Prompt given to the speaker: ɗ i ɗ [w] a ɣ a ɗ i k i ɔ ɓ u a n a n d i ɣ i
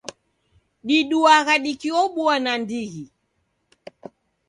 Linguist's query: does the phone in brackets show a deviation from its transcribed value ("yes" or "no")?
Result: yes